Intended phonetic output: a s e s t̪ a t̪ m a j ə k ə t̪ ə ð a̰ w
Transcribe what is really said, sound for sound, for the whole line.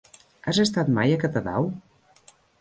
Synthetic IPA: a z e s t̪ a t̪ m a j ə k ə t̪ ə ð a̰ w